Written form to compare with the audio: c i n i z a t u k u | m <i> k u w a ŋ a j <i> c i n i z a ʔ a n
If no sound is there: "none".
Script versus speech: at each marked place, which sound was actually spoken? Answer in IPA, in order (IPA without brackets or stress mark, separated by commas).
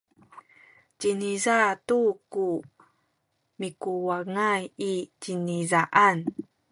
i, i